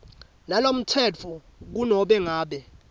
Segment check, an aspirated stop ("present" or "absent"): present